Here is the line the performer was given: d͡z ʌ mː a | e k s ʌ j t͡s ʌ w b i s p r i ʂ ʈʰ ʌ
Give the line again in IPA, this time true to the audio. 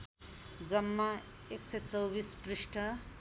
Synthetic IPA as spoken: d͡z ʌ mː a | e k s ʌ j t͡s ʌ w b i s p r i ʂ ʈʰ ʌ